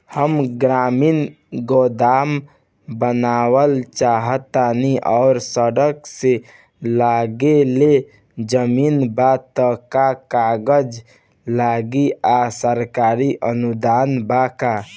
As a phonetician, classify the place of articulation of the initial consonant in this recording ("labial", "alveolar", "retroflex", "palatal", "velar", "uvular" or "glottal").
glottal